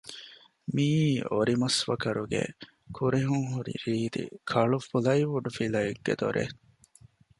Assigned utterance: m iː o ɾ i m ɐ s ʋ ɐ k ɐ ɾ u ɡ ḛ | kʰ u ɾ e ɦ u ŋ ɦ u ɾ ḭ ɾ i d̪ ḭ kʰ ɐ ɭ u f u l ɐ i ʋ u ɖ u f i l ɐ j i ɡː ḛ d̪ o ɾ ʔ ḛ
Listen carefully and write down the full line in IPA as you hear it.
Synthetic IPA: m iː o ɾ i m ɐ s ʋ ɐ k ɐ ɾ u ɡ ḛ | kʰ u ɾ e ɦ u ŋ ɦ u ɾ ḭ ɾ iː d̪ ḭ kʰ ɐ ɭ u f u l ɐ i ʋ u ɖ u f i l ɐ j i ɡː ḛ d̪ o ɾ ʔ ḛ